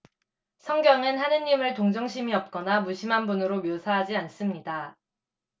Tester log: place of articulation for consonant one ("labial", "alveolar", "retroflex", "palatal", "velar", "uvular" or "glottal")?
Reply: alveolar